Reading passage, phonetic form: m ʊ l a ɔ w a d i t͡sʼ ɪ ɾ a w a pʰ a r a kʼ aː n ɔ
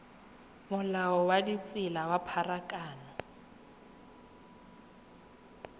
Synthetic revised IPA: m ʊ l a ɔ w a d i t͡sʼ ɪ l a w a pʰ a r a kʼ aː n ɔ